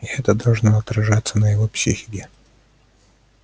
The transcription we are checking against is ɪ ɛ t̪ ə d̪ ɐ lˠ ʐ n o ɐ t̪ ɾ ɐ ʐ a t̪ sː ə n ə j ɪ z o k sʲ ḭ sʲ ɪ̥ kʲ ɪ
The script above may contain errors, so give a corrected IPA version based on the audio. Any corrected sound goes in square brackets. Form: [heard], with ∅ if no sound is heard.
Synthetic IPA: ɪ ɛ t̪ ə d̪ ɐ lˠ ʐ n o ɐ t̪ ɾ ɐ ʐ a t̪ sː ə n ə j ɪ [v] o [p] sʲ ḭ [xʲ] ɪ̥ kʲ ɪ